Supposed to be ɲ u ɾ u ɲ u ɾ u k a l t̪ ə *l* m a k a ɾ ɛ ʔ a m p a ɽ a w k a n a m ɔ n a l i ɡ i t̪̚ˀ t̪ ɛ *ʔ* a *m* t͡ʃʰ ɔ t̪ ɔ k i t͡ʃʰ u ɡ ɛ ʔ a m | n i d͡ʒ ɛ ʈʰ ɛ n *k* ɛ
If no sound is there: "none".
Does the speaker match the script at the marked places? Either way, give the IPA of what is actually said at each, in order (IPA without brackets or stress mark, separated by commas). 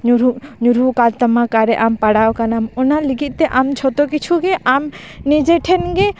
none, ʔ, m, ɡ